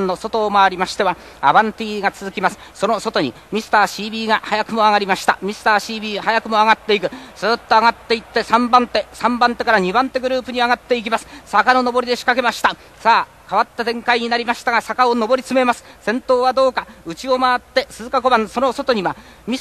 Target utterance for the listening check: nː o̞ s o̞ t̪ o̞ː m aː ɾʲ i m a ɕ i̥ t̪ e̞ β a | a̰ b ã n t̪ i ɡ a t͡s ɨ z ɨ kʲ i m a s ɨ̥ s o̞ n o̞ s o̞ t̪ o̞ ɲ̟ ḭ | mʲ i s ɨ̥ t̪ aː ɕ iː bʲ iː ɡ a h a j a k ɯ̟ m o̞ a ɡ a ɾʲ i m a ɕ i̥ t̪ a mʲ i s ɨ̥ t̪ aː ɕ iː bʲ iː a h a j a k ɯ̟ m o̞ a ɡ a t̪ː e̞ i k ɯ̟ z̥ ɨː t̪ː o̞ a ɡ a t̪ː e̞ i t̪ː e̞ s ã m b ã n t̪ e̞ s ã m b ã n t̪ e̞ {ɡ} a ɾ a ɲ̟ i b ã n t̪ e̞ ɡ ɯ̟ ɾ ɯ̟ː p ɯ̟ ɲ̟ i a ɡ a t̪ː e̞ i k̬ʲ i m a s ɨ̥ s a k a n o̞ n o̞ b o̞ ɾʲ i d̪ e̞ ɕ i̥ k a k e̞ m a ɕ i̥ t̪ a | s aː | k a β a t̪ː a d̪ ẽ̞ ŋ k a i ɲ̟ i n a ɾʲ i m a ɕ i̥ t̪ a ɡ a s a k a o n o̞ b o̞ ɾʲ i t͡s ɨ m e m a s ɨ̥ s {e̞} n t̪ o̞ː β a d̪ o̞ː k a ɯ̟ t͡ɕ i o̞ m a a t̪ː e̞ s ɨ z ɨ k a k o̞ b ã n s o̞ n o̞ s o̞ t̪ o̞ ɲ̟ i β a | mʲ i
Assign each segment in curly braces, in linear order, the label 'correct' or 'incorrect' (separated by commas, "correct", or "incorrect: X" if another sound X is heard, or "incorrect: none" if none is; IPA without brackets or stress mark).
incorrect: k, incorrect: ẽ̞